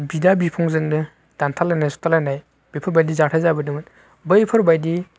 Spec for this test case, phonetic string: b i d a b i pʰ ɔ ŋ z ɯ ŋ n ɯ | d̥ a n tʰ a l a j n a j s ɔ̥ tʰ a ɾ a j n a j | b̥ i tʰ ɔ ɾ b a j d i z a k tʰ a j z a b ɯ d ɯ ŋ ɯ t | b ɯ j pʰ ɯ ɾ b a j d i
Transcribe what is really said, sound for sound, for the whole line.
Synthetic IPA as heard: b i d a b i pʰ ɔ ŋ z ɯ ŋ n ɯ | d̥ a n tʰ a l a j n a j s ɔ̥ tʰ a l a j n a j | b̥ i pʰ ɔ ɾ b a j d i z a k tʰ a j z a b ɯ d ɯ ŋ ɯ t | b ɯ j pʰ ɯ ɾ b a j d i